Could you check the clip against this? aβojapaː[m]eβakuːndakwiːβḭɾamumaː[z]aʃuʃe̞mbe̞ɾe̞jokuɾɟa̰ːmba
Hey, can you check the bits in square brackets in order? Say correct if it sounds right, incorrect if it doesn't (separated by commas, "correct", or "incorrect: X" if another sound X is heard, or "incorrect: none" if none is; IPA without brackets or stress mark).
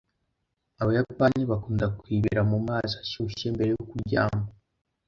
incorrect: ɲ, correct